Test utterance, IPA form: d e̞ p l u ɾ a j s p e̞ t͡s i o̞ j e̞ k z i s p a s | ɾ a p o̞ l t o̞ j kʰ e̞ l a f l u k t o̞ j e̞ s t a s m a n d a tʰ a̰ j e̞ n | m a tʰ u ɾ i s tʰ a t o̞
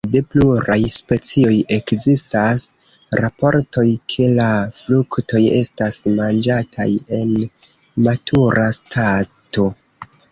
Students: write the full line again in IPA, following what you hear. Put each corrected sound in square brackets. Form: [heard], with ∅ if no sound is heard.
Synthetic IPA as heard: d e̞ p l u ɾ a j s p e̞ t͡s i o̞ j e̞ k z i s [t] a s | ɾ a p o̞ [ɾ] t o̞ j kʰ e̞ l a f l u k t o̞ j e̞ s t a s m a n [d͡ʒ] a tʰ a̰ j e̞ n | m a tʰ u ɾ [a] s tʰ a t o̞